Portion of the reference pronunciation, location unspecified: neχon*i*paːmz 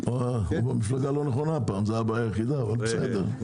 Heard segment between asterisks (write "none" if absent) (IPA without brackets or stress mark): a